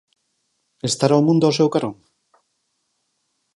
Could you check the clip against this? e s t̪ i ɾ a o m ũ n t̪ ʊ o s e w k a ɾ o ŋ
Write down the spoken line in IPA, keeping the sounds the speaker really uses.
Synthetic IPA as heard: e s t̪ a ɾ a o m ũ n d̪ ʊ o s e w k a ɾ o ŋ